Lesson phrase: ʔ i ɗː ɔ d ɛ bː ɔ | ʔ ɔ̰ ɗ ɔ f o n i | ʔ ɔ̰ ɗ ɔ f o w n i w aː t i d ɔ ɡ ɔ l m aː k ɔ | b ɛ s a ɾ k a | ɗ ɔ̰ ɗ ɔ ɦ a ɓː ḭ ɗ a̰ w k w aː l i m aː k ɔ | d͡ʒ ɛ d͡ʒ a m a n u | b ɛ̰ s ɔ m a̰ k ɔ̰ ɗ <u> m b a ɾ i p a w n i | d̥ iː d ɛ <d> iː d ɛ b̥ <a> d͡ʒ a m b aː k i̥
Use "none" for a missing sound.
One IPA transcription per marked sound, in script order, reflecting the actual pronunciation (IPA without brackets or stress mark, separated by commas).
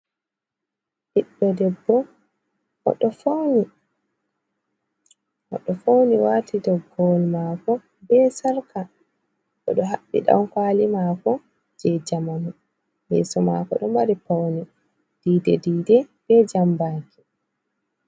ɔ, d, ɛ